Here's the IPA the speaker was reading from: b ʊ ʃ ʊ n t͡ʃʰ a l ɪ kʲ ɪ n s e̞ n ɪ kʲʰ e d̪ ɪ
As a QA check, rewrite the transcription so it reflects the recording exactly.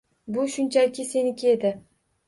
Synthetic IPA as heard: b ʊ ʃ ʊ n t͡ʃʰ a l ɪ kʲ ɪ s e̞ n ɪ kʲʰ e d̪ ɪ